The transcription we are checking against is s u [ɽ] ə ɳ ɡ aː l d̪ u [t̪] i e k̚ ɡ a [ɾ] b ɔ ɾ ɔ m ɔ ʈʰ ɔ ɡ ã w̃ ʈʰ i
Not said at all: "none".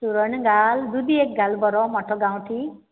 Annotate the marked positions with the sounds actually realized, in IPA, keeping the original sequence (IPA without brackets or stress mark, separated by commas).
ɾ, d̪, l